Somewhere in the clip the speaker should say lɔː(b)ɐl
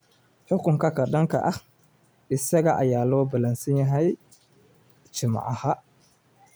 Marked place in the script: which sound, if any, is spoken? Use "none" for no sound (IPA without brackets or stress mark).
b